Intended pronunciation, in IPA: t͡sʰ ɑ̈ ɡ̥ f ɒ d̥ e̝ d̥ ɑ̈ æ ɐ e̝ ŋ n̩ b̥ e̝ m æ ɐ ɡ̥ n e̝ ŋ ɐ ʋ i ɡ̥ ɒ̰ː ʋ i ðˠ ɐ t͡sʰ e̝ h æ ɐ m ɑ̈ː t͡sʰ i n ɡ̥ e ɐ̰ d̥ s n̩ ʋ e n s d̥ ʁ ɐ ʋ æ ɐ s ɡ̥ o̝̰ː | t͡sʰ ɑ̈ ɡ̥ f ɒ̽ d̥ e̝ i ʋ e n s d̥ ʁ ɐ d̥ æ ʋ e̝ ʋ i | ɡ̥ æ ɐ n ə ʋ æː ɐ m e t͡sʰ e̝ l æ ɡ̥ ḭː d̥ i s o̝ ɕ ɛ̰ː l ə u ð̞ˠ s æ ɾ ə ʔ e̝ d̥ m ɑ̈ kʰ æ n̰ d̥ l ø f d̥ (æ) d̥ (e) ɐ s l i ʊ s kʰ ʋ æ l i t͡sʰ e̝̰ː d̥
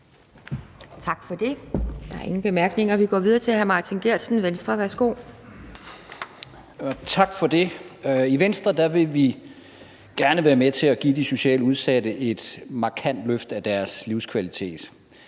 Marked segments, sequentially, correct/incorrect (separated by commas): correct, incorrect